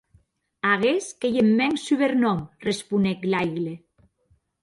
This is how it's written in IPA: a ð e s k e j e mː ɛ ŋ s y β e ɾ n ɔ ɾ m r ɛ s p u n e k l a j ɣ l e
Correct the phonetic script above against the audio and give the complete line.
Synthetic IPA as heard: a ɣ e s k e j e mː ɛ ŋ s y β e ɾ n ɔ m r e s p u n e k l a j ɣ l e